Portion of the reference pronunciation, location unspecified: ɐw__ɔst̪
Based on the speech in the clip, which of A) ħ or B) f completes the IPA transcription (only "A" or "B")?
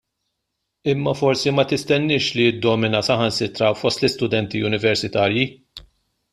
B